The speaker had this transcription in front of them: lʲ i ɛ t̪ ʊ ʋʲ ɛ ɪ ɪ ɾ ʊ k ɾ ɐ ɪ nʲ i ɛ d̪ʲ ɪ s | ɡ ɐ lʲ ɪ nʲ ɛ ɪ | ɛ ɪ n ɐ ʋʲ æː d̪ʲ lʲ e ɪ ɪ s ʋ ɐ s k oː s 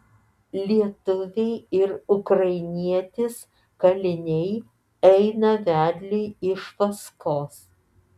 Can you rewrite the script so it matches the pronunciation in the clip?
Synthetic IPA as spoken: lʲ i ɛ t̪ ʊ ʋʲ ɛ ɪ ɪ ɾ ʊ k ɾ ɐ ɪ nʲ i ɛ t̪ʲ ɪ s | k ɐ lʲ ɪ nʲ ɛ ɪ | ɛ ɪ n ɐ ʋʲ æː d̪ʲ lʲ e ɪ ɪ ʃ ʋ ɐ s k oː s